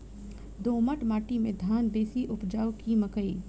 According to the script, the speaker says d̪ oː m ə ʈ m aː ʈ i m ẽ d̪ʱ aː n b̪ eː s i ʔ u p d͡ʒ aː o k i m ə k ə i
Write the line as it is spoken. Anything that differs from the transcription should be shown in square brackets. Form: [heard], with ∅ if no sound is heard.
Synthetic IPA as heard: d̪ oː m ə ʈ m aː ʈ i m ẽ d̪ʱ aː n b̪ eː s i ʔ [ʊ] p d͡ʒ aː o k i m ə k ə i